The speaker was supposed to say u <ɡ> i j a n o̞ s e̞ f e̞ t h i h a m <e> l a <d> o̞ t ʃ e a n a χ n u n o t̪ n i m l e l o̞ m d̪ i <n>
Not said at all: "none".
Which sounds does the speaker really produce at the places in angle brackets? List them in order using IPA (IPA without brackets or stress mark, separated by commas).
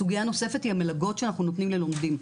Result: ɡ, e, ɡ, m